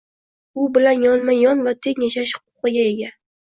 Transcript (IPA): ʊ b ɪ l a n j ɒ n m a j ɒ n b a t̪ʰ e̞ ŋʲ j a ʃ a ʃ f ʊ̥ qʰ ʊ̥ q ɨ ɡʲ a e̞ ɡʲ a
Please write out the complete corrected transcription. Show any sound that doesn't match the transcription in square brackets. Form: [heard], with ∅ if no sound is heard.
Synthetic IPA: ʊ b ɪ l a n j ɒ n m a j ɒ n [v] a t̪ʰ e̞ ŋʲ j a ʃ a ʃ [h] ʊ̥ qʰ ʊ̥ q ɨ ɡʲ a e̞ ɡʲ a